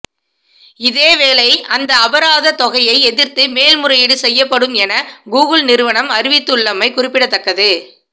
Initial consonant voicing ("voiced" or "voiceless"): voiced